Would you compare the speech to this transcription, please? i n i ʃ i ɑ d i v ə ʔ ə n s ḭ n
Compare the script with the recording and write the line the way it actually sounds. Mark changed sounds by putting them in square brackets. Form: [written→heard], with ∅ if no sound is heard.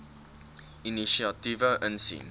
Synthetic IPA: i n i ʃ i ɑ [d→t] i v ə ʔ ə n s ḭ n